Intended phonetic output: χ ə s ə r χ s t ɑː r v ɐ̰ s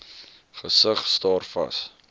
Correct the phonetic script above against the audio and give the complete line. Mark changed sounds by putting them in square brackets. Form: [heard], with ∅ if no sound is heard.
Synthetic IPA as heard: χ ə s ə [∅] χ s t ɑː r [f] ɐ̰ s